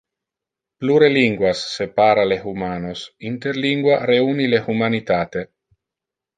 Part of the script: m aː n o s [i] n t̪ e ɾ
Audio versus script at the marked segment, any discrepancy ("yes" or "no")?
no